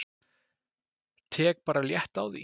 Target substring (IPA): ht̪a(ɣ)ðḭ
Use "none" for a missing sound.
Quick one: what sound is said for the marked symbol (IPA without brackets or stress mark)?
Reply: w